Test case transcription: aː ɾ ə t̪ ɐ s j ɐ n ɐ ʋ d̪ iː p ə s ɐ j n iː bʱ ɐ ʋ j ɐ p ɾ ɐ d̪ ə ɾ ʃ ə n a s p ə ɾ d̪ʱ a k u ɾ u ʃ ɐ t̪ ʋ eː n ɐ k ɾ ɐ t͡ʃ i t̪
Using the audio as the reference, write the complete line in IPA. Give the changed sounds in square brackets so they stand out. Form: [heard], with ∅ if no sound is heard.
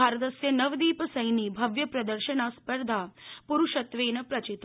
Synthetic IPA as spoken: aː ɾ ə t̪ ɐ s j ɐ n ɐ ʋ d̪ iː p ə s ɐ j n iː bʱ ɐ ʋ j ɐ p ɾ ɐ d̪ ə ɾ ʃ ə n a s p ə ɾ d̪ʱ a [p] u ɾ u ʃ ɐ t̪ ʋ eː n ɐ [p] ɾ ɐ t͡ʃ i t̪